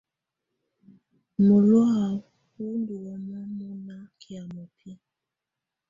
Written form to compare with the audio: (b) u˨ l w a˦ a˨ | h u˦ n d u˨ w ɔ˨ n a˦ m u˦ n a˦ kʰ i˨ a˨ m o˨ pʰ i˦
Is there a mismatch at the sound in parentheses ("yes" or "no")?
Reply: yes